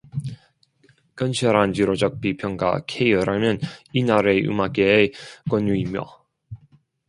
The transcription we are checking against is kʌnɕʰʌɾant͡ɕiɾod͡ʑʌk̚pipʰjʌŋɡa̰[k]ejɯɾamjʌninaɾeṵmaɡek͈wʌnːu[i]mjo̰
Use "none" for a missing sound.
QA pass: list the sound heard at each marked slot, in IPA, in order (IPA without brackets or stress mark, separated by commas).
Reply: kʰ, i